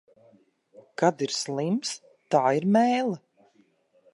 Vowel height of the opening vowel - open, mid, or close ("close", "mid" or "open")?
open